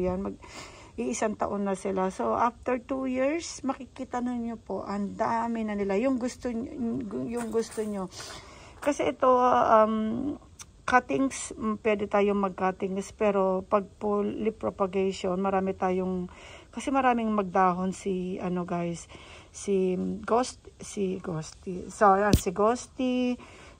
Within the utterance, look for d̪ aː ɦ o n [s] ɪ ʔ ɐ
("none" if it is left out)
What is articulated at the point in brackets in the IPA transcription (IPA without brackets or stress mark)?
s